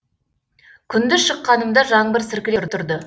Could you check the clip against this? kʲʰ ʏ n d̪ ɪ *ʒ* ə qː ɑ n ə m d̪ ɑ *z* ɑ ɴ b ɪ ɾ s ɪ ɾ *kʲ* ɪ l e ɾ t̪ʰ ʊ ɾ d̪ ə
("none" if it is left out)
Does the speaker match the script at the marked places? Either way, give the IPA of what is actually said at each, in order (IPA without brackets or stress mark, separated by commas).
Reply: ʃ, ʒ, kʲ